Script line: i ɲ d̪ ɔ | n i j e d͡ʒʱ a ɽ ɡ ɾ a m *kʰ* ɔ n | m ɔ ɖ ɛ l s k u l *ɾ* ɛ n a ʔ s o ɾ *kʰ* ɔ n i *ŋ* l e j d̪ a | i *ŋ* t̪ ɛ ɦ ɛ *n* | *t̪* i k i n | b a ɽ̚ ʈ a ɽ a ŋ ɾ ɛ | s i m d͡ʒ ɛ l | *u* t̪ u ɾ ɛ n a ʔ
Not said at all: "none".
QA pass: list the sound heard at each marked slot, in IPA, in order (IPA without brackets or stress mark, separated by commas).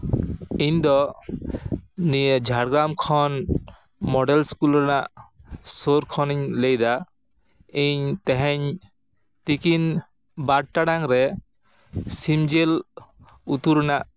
kʰ, ɾ, kʰ, ɲ, ɲ, ɲ, t̪, u